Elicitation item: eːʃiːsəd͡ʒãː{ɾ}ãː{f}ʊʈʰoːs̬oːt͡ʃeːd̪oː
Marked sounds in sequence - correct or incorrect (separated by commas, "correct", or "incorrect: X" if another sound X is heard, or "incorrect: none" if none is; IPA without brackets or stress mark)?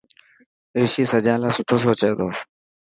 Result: incorrect: l, incorrect: s